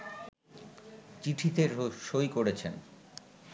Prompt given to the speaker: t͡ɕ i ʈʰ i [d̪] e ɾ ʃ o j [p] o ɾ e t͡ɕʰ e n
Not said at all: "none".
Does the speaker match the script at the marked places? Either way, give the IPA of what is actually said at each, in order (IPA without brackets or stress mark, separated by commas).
t̪, k